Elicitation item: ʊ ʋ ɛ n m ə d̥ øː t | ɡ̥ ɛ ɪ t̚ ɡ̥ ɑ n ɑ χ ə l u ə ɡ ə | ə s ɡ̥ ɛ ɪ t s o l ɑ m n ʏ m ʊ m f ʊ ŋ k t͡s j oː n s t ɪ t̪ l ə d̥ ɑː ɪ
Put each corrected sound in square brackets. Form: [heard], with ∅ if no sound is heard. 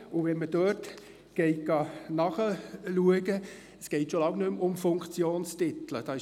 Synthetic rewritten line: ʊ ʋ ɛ n m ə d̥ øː t | ɡ̥ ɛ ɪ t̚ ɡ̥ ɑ n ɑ χ ə l u ə ɡ ə | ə s ɡ̥ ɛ ɪ t [ʃ] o l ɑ [ŋ] n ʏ m ʊ m f ʊ ŋ k t͡s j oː n s t ɪ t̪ l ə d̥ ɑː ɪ